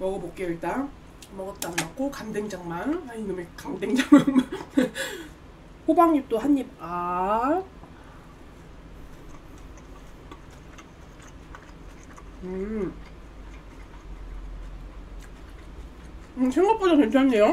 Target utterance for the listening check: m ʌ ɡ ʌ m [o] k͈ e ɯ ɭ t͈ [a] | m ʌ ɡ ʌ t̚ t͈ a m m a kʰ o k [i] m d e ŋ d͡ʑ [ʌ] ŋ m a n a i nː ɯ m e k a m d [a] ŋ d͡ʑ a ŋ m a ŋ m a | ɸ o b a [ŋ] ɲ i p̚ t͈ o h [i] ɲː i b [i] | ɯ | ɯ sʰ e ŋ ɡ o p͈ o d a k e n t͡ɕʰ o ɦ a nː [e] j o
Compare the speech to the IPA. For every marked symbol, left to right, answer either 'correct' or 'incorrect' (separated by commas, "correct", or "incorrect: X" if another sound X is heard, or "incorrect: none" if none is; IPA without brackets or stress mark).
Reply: correct, correct, incorrect: a, incorrect: a, incorrect: e, correct, incorrect: a, incorrect: a, correct